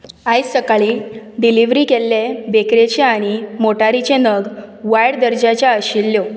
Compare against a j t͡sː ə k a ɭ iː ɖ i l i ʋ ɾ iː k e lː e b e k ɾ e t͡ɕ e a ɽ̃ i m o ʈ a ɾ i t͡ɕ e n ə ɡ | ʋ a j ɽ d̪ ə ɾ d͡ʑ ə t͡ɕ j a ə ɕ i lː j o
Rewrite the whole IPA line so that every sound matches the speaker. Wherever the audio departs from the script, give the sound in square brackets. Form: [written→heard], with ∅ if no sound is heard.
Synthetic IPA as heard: a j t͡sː ə k a ɭ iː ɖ i l i ʋ ɾ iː k e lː e b e k ɾ e t͡ɕ e a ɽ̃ i m o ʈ a ɾ i t͡ɕ e n ə ɡ | ʋ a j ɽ d̪ ə ɾ d͡ʑ [ə→a] t͡ɕ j a ə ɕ i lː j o